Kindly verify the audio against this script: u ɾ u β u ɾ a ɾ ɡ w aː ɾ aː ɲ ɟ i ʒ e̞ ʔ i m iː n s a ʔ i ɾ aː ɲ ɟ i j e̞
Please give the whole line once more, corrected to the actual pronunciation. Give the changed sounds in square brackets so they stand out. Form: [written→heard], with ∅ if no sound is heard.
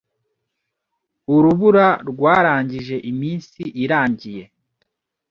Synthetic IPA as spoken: u ɾ u β u ɾ a ɾ ɡ w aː ɾ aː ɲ ɟ i ʒ e̞ ʔ i m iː n s [a→i] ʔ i ɾ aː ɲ ɟ i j e̞